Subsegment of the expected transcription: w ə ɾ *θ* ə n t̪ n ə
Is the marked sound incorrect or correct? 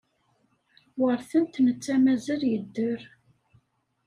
correct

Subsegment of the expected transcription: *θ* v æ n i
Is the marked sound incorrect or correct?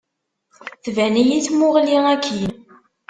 correct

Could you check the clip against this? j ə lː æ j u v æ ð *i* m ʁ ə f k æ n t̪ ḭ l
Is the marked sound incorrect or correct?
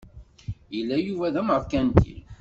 incorrect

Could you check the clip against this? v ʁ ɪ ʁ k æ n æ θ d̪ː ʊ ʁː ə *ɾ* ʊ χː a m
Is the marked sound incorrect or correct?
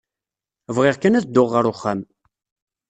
correct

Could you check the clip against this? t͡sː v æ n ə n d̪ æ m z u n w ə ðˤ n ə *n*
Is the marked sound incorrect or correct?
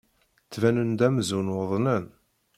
correct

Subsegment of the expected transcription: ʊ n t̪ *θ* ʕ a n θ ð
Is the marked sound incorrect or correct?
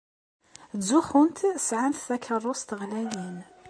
incorrect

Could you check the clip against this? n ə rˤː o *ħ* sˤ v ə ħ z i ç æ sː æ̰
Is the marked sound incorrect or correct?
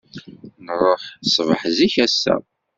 correct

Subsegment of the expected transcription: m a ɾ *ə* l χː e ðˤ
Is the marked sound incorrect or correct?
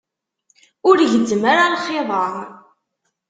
incorrect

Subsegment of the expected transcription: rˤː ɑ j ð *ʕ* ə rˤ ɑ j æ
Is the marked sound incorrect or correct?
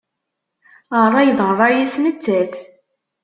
incorrect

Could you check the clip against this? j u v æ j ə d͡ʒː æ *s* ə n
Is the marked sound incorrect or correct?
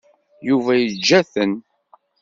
incorrect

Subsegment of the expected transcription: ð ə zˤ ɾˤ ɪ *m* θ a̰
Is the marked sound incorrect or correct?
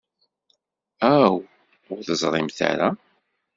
correct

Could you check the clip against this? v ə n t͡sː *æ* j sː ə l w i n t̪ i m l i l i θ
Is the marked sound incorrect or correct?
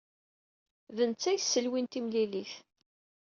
correct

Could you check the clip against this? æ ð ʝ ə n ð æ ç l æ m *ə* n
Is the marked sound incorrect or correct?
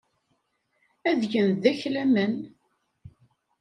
correct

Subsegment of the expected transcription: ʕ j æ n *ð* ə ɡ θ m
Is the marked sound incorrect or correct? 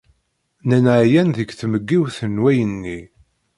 correct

